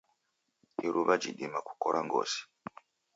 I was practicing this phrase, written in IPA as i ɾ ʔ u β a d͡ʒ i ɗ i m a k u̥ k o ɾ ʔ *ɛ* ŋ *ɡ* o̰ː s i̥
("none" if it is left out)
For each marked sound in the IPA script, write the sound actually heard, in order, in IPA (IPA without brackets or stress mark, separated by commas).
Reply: a, ɡ